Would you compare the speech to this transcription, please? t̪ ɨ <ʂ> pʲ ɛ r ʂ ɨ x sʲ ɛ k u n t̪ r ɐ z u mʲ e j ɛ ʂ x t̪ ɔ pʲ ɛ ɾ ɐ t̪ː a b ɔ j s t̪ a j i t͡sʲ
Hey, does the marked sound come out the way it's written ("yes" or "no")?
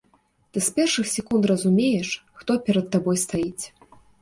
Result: no